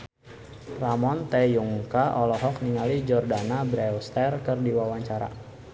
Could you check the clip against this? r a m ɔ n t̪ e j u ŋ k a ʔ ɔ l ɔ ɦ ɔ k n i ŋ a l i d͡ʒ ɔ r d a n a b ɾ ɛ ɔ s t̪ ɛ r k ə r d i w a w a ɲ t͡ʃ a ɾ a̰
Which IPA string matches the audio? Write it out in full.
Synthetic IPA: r a m ɔ n t̪ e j u ŋ k a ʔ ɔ l ɔ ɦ ɔ k n i ŋ a l i d͡ʒ ɔ r d a n a b ɾ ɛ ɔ s t̪ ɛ r k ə r d i w a w a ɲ t͡ʃ a ɾ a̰